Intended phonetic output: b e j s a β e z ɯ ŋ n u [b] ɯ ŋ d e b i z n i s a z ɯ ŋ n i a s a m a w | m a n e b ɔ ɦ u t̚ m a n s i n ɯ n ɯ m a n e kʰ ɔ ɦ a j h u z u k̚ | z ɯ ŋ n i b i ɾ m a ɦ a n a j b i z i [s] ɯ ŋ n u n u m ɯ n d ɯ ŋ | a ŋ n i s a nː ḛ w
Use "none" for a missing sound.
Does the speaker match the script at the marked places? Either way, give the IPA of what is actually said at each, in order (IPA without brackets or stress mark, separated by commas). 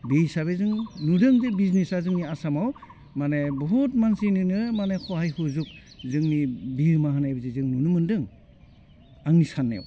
d, z